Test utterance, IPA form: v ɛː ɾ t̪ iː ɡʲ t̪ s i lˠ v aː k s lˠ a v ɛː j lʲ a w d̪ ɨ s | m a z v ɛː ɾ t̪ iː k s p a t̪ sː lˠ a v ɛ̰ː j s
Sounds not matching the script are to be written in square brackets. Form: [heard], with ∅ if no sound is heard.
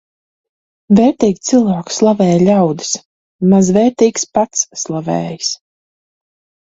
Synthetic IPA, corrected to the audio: v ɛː ɾ t̪ iː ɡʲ t̪ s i lˠ v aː k s lˠ a v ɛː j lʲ a w d̪ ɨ s | m a z v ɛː ɾ t̪ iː k s p a t̪ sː lˠ a v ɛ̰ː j s